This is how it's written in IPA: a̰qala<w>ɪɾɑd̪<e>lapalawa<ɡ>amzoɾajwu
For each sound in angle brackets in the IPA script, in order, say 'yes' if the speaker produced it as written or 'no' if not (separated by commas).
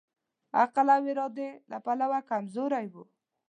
yes, yes, no